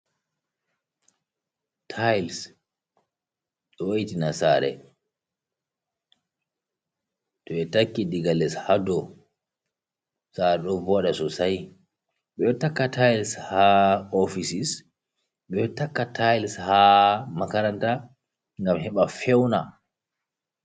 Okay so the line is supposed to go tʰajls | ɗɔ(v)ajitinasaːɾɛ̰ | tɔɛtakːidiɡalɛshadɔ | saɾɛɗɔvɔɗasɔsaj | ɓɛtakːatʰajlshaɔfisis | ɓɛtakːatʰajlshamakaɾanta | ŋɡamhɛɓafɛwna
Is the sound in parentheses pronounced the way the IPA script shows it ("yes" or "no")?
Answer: no